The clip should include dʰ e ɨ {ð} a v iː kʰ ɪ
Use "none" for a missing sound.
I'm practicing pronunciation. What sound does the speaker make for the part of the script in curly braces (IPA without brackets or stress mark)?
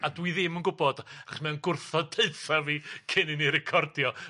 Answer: θ